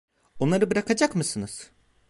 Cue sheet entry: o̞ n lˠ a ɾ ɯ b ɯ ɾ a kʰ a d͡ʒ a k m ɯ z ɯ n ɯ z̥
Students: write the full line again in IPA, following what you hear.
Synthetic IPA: o̞ n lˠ a ɾ ɯ b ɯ ɾ a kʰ a d͡ʒ a k m ɯ s ɯ n ɯ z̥